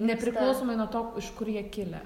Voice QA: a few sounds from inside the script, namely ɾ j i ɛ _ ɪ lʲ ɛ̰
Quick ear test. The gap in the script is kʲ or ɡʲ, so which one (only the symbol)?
kʲ